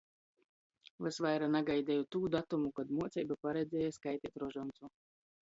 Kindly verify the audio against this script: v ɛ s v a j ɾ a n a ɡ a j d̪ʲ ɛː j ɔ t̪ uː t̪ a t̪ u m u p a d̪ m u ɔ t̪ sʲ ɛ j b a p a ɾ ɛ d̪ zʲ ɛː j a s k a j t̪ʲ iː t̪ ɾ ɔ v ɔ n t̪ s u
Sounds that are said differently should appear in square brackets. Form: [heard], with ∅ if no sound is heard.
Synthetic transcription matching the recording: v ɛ s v a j ɾ a n a ɡ a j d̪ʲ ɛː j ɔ t̪ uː [d̪] a t̪ u m u [k] a d̪ m u ɔ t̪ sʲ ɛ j b a p a ɾ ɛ d̪ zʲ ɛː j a s k a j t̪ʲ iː t̪ ɾ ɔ [ʒ] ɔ n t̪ s u